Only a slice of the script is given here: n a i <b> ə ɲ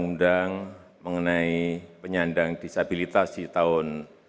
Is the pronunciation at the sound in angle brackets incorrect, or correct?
incorrect